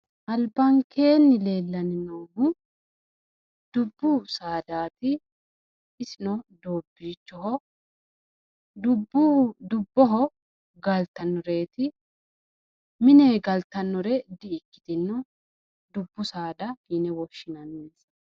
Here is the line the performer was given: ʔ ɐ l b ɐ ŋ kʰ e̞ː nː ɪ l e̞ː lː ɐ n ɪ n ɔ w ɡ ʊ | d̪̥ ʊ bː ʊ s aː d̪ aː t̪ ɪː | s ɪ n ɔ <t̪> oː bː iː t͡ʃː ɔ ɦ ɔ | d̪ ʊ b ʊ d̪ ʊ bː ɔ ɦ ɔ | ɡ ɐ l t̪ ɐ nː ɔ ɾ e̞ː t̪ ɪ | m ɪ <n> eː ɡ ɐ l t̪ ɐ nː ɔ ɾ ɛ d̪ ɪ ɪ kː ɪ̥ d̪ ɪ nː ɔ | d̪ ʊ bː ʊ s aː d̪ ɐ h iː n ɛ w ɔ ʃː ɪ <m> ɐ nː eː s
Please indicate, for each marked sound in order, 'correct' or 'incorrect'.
incorrect: d̪, correct, incorrect: n

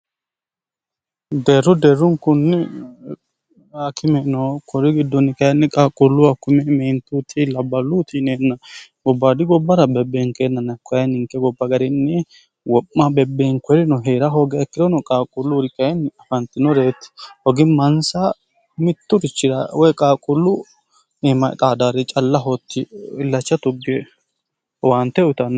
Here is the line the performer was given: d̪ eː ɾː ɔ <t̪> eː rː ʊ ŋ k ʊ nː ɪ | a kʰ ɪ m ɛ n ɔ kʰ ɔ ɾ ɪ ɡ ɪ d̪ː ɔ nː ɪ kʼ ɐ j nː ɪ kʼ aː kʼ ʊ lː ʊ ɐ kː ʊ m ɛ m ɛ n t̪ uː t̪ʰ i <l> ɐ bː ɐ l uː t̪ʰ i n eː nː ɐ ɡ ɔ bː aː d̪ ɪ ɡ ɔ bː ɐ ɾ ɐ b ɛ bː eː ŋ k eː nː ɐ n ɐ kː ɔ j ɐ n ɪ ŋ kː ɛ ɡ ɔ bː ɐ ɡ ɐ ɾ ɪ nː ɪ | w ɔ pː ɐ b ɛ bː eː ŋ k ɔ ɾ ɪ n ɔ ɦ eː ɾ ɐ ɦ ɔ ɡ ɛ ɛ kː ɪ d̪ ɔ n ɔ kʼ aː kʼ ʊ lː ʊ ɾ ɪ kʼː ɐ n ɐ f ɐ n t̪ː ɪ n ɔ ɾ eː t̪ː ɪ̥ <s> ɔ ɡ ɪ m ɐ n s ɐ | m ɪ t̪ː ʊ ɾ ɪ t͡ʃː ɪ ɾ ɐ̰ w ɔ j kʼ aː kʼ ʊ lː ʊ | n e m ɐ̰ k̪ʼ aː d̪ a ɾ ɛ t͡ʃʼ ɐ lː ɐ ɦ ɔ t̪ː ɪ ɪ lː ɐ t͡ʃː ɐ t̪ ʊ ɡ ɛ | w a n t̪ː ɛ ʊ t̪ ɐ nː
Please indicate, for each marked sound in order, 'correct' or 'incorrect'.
incorrect: d̪, correct, incorrect: h

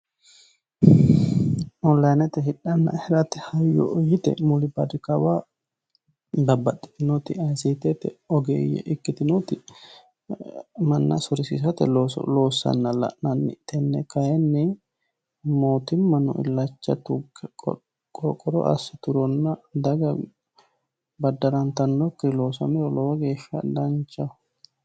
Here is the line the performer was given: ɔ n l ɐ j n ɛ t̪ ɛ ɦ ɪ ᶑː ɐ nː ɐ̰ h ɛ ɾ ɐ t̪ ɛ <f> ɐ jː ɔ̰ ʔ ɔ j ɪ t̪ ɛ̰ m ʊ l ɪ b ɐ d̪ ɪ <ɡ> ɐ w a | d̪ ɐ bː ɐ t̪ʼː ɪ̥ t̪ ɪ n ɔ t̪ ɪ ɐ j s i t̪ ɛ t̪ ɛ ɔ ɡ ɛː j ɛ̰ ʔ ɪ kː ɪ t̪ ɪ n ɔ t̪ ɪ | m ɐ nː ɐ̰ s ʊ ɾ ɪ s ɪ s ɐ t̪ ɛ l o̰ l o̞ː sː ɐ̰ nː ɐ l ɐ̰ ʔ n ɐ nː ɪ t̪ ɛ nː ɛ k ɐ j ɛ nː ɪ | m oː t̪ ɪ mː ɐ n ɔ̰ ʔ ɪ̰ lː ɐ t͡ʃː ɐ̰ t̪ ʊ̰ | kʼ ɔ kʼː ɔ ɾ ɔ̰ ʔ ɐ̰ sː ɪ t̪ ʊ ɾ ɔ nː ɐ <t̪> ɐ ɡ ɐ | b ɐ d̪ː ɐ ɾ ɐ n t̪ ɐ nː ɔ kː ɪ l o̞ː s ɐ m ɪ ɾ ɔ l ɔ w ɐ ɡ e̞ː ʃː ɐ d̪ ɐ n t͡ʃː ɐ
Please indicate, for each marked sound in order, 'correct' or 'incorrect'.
incorrect: h, incorrect: k, incorrect: d̪

